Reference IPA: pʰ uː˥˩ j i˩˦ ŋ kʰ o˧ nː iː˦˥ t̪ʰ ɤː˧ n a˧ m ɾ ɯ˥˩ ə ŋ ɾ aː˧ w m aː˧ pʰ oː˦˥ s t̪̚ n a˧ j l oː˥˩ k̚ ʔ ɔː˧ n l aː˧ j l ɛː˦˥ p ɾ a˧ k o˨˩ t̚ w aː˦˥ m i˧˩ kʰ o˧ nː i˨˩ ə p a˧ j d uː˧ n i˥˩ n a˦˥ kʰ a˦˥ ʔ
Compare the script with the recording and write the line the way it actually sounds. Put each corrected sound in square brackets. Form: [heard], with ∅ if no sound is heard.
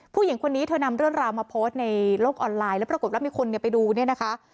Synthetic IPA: pʰ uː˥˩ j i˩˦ ŋ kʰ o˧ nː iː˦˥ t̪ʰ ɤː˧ n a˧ m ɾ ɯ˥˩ ə ŋ ɾ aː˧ w m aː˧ pʰ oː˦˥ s t̪̚ n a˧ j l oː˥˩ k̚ ʔ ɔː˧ n l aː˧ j l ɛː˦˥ p ɾ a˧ k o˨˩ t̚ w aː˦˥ m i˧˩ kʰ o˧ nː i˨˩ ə p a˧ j d uː˧ n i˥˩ n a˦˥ kʰ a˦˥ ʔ